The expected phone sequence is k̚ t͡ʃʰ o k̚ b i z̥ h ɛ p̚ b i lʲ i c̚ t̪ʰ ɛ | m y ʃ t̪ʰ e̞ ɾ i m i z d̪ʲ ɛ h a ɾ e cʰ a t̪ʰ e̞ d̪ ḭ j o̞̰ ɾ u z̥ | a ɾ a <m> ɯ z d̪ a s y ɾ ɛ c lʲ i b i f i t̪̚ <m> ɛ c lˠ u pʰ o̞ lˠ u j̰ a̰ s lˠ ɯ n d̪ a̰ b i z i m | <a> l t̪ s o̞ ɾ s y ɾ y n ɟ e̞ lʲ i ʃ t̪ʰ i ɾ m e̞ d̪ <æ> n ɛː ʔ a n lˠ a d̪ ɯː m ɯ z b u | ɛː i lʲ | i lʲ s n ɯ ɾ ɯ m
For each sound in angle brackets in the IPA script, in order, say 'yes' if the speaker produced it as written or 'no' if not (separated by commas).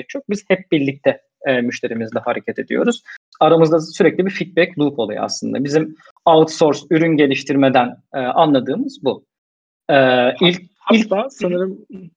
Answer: yes, no, yes, yes